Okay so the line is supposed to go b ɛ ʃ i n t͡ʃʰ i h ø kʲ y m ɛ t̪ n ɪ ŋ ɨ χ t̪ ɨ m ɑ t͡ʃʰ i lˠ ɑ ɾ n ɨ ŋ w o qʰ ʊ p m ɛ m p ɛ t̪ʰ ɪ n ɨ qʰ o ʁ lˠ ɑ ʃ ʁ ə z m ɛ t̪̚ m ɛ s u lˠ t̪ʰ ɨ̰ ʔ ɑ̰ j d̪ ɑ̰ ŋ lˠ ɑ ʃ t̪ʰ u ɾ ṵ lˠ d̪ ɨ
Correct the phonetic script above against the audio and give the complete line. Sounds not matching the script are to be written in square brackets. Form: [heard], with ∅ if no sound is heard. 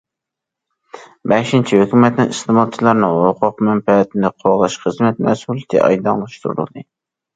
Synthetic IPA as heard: b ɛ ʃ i n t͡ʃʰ i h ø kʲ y m ɛ t̪ n ɪ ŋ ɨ [s] t̪ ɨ m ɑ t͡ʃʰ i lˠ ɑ ɾ n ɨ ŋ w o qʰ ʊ [q] m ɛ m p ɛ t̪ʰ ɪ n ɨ qʰ o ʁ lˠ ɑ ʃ [χ] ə z m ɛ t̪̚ m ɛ s u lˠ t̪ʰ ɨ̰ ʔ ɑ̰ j d̪ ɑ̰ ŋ lˠ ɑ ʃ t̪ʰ u ɾ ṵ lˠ d̪ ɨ